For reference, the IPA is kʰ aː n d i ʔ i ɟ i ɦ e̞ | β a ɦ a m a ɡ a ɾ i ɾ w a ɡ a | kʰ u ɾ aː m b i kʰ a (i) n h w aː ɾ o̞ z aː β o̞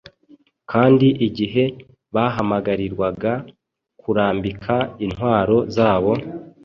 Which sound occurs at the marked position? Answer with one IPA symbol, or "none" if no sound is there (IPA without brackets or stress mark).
i